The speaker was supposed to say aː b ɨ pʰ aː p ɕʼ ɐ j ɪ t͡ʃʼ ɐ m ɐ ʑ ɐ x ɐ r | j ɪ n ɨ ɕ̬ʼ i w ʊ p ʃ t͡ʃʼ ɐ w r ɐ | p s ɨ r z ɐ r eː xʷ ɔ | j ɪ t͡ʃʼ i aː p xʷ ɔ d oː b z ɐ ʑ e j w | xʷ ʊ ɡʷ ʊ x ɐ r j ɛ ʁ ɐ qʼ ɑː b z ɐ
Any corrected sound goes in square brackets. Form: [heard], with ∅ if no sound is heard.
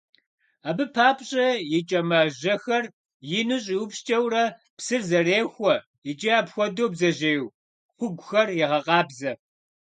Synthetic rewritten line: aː b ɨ pʰ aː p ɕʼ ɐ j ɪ t͡ʃʼ ɐ m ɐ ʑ ɐ x ɐ r | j ɪ n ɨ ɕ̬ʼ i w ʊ p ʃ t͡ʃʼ ɐ w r ɐ | p s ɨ r z ɐ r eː xʷ ɔ | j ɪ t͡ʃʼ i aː p xʷ ɔ d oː b z ɐ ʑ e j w | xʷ ʊ ɡʷ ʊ x ɐ r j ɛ ʁ ɐ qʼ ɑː b z ɐ